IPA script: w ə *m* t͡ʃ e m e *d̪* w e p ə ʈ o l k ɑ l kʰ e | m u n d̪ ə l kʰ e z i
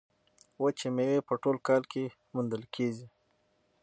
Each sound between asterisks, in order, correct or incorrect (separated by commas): incorrect, incorrect